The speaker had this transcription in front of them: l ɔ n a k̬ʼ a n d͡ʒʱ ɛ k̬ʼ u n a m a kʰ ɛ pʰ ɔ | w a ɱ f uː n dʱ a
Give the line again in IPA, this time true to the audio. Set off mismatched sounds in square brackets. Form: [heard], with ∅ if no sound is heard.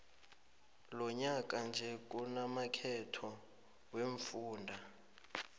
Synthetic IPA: l ɔ [ɲ] a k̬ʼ a n d͡ʒʱ ɛ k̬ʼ u n a m a kʰ ɛ [tʰ] ɔ | w [e] ɱ f uː n dʱ a